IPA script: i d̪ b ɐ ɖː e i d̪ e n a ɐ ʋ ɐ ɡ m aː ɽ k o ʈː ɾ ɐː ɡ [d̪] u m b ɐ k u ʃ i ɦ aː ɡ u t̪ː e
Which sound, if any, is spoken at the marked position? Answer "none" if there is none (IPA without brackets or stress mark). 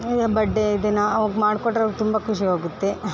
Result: t̪